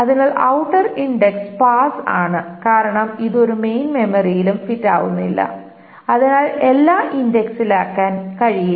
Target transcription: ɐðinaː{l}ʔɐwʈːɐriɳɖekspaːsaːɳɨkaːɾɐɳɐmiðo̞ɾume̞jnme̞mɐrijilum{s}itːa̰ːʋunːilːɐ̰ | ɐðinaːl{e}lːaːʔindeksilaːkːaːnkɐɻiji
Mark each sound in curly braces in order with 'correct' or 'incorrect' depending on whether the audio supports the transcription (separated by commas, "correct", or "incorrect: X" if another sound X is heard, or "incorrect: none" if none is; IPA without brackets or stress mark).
incorrect: ɭ, incorrect: f, correct